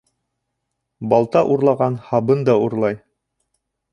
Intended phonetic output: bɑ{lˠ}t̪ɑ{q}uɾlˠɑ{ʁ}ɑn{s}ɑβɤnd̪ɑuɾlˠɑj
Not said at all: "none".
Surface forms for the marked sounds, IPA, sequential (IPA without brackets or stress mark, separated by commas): lˠ, ʔ, ʁ, h